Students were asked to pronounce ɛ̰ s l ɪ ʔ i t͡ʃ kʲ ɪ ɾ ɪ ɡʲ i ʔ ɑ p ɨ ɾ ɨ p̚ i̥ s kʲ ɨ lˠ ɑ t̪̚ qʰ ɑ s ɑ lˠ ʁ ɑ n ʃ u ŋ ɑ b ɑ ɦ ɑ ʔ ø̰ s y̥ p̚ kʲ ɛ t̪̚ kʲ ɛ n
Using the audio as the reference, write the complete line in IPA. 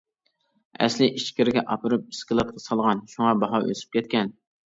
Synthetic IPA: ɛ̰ s l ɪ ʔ i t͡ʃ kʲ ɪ ɾ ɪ ɡʲ ɛ ʔ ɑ p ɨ ɾ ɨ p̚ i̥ s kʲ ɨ lˠ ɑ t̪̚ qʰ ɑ s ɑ lˠ ʁ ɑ n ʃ u ŋ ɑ b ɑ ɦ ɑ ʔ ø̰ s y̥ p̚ kʲ ɛ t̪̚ kʲ ɛ n

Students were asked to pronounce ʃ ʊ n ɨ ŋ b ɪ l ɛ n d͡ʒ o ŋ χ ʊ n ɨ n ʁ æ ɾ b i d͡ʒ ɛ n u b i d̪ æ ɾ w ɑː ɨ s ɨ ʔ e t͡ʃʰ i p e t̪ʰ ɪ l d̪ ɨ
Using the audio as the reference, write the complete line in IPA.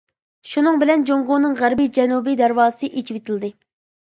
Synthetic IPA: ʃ u n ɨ ŋ b ɪ l ɛ n d͡ʒ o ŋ ʁ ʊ n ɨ ŋ ʁ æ ɾ b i d͡ʒ ɛ n u b i d̪ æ ɾ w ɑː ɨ s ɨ ʔ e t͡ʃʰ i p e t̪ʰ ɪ l d̪ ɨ

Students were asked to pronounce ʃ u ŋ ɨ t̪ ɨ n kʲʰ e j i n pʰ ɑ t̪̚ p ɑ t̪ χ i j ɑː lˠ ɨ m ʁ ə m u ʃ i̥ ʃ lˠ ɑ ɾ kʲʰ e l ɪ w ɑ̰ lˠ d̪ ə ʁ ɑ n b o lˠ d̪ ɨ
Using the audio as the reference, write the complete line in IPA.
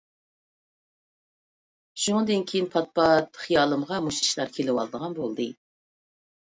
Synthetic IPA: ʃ u ŋ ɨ d̪ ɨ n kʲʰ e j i n pʰ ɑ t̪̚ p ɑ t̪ χ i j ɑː lˠ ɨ m ʁ ɑ m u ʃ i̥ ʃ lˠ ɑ ɾ kʲʰ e l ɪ w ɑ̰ lˠ d̪ ə ʁ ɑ n b o lˠ d̪ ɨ

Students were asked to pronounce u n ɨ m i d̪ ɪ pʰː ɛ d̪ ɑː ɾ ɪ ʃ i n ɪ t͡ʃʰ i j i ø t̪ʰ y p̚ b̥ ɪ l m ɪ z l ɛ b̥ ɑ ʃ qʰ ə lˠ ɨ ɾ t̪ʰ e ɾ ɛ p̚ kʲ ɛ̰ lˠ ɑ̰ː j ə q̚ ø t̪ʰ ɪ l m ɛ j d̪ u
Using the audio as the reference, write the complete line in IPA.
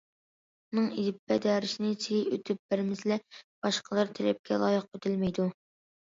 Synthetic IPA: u n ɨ ŋ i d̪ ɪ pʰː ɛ d̪ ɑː ɾ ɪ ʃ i n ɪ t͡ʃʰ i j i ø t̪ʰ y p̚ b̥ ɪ ɾ m ɪ z l ɛ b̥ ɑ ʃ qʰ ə lˠ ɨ ɾ t̪ʰ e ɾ ɛ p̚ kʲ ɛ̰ lˠ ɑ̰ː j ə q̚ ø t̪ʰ ɪ l m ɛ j d̪ u

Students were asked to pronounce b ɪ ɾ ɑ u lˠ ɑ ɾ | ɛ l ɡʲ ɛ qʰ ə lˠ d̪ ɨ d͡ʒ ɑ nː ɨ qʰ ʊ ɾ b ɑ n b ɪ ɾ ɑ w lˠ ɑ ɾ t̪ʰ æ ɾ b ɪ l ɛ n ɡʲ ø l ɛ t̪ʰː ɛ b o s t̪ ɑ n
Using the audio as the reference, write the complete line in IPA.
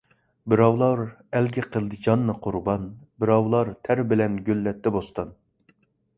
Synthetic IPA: b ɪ ɾ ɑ w lˠ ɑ ɾ | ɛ l ɡʲ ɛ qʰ ə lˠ d̪ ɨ d͡ʒ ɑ nː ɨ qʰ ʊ ɾ b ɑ n b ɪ ɾ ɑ w lˠ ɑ ɾ t̪ʰ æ ɾ b ɪ l ɛ n ɡʲ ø lː ɛ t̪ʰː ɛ b o s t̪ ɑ n

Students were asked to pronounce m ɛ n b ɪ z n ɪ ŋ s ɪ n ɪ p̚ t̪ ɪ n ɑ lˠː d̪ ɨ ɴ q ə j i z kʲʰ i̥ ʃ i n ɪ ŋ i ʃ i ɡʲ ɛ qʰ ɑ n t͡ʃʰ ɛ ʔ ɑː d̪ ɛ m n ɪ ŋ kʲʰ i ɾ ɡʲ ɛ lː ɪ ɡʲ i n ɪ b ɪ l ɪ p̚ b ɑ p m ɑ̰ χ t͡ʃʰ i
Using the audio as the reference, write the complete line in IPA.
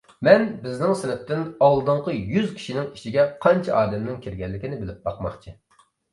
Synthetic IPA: m ɛ n b ɪ z n ɪ ŋ s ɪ n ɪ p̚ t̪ ɪ n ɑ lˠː d̪ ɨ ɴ q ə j y z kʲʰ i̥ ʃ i n ɪ ŋ i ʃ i ɡʲ ɛ qʰ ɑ n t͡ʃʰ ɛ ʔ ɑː d̪ ɛ m n ɪ ŋ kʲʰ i ɾ ɡʲ ɛ lː ɪ kʲ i n ɪ b ɪ l ɪ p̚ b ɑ q m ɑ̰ χ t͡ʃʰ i

